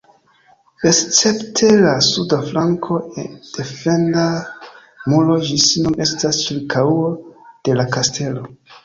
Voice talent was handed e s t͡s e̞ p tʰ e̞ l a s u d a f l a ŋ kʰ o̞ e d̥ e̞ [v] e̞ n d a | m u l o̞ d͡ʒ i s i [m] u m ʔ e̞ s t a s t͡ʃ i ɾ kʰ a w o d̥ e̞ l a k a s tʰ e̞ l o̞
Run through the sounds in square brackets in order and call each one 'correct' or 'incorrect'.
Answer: incorrect: f, incorrect: n

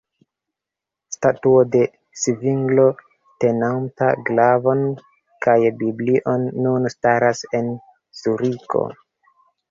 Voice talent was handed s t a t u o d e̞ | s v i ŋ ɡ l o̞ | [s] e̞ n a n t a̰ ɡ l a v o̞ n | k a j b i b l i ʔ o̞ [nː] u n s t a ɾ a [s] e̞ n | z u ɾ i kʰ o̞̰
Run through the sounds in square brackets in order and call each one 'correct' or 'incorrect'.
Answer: incorrect: t, correct, correct

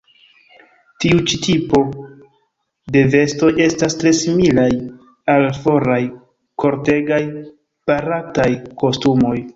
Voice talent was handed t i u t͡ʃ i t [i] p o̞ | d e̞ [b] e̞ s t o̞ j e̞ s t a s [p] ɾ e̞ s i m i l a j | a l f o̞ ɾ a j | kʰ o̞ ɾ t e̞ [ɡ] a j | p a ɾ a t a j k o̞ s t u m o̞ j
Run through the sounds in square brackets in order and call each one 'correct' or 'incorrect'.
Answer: correct, incorrect: v, incorrect: t, correct

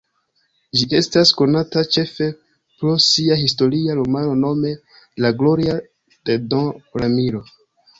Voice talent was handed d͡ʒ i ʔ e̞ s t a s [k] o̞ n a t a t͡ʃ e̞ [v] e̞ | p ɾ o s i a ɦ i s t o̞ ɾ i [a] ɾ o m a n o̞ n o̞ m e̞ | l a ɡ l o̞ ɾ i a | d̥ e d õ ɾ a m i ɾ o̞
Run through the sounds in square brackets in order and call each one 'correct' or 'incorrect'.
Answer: correct, incorrect: f, correct

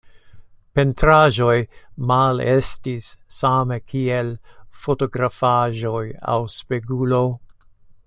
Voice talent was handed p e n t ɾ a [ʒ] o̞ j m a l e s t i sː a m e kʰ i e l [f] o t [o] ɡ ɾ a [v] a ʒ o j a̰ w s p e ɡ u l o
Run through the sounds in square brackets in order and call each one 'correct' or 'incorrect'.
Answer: correct, correct, correct, incorrect: f

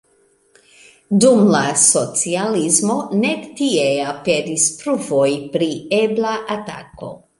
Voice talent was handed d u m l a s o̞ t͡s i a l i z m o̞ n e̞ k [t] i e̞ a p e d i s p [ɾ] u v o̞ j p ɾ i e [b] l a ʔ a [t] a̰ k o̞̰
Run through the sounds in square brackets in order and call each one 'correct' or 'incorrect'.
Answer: correct, correct, correct, correct

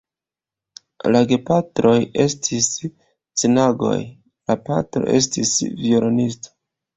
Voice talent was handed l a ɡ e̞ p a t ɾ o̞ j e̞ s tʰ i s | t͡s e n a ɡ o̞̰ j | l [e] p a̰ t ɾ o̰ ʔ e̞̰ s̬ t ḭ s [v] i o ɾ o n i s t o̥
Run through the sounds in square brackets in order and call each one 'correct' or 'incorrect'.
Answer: incorrect: a, correct

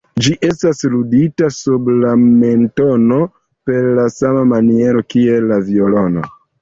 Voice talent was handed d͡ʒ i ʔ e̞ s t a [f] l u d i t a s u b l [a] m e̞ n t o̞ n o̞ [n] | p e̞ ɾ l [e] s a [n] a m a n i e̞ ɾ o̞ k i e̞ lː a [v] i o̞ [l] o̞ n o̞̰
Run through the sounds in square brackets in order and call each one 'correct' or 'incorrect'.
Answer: incorrect: s, correct, incorrect: none, incorrect: a, incorrect: m, correct, correct

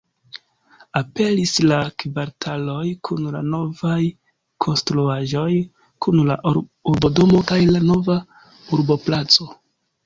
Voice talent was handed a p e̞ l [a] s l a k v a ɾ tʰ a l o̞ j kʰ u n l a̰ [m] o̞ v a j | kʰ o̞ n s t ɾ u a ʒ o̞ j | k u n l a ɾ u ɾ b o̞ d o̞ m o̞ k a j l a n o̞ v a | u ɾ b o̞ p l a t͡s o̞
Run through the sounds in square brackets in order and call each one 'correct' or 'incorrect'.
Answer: incorrect: i, incorrect: n

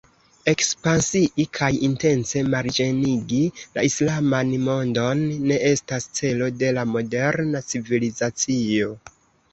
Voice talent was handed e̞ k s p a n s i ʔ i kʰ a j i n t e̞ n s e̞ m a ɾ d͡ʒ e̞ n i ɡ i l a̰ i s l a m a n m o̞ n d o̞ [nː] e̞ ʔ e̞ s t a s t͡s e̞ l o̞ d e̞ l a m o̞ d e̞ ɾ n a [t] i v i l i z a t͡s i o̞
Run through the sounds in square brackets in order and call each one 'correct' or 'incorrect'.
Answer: correct, incorrect: t͡s

